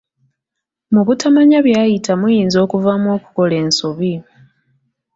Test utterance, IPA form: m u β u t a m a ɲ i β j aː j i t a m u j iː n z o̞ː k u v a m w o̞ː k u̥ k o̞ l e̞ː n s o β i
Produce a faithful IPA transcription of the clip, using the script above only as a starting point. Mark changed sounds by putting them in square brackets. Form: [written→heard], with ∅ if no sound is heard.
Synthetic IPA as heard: m u β u t a m a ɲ [i→a] β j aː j i t a m u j iː n z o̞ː k u v a m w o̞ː k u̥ k o̞ l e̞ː n s o β i